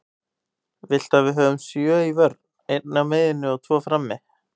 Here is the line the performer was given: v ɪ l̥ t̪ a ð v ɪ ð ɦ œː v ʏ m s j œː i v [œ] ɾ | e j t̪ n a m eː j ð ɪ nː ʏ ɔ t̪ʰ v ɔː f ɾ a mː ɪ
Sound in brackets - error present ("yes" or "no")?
no